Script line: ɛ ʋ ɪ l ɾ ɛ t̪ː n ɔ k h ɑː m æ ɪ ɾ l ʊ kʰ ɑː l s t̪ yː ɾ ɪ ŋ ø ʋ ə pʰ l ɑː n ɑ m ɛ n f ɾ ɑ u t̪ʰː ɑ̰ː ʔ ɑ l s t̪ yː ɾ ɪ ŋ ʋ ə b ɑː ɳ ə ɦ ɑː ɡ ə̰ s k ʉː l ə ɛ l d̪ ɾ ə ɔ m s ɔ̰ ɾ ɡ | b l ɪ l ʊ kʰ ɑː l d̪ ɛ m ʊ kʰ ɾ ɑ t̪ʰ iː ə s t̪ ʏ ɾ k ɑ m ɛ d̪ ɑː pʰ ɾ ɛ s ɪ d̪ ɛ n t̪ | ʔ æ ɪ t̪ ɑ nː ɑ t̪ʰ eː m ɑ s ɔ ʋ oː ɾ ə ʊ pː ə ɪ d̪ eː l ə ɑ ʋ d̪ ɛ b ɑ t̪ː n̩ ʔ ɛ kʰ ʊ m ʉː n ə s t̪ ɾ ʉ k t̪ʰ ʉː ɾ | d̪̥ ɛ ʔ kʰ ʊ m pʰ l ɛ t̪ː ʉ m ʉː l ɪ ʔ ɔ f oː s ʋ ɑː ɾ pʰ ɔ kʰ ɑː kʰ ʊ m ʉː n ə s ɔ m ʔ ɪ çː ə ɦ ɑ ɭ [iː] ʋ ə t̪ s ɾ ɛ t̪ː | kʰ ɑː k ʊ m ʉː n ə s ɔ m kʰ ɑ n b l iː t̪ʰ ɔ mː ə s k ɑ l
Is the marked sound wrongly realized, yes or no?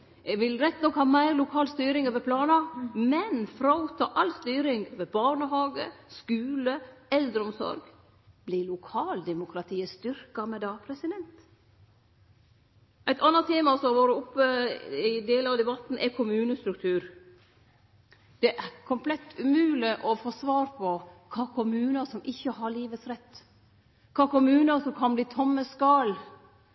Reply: no